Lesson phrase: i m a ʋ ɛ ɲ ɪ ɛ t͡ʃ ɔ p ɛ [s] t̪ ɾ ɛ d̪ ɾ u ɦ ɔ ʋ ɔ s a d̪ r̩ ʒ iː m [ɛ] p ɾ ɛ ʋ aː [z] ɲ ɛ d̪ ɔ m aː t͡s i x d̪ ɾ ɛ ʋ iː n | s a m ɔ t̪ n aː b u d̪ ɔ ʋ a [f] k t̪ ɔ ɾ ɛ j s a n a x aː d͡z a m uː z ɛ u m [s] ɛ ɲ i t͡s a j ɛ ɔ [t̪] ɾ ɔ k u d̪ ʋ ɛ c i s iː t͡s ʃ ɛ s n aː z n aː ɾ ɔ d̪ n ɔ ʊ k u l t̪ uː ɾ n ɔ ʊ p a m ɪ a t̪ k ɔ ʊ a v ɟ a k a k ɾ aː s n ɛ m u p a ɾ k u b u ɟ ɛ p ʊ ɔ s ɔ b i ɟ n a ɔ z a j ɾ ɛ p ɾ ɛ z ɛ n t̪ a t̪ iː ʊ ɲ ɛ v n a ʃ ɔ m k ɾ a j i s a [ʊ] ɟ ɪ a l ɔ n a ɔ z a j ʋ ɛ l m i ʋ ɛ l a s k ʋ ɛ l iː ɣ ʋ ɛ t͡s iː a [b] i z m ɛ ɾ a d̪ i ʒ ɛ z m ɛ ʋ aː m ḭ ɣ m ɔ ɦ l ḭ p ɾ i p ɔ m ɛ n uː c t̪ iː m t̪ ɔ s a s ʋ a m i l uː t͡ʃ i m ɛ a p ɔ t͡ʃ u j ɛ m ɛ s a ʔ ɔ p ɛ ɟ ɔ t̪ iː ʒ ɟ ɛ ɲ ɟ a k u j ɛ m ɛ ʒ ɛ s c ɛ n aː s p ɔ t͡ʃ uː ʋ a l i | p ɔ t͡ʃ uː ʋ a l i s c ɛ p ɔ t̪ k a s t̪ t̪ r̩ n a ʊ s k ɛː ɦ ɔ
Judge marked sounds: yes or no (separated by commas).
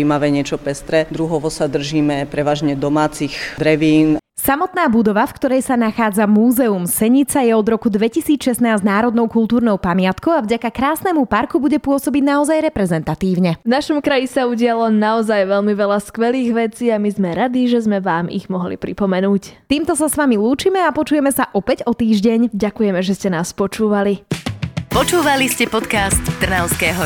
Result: yes, yes, no, yes, yes, no, no, no